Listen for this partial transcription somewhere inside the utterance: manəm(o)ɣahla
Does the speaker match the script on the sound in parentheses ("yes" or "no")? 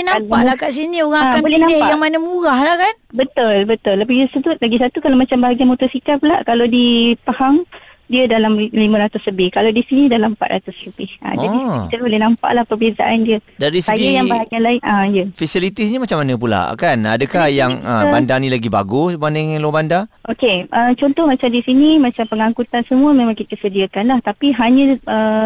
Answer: no